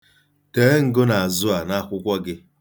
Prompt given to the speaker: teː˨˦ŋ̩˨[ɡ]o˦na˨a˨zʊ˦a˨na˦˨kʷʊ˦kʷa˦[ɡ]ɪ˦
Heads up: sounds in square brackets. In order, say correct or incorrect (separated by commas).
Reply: correct, correct